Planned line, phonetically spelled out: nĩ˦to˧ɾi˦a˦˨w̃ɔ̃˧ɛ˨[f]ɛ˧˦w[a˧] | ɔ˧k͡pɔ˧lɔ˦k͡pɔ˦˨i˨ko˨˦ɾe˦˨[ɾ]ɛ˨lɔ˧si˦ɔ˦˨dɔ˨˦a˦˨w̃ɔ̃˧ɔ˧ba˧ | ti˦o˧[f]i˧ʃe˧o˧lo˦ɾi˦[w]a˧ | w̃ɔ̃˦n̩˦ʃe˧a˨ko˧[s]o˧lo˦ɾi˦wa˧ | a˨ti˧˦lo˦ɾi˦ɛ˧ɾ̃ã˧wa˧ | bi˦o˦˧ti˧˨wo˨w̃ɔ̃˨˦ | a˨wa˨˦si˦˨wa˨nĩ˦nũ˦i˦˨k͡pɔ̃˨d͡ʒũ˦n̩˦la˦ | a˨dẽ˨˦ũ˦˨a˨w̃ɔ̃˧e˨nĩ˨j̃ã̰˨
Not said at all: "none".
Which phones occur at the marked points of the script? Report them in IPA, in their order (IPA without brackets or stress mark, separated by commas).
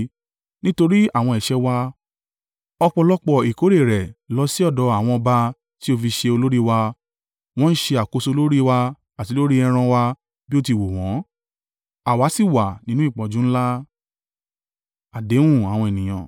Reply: ʃ, a˧, ɾ, f, w, s